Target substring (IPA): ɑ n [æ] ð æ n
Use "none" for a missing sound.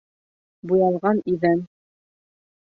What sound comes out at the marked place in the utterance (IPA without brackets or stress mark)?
i